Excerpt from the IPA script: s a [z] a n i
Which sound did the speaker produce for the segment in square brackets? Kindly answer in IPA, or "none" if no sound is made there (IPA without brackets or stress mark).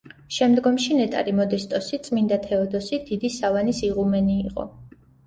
v